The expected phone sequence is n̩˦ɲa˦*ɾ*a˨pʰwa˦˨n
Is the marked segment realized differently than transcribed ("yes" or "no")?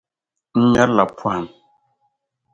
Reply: yes